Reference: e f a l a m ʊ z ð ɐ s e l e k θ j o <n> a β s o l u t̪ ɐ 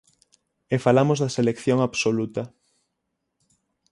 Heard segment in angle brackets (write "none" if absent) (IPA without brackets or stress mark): ŋ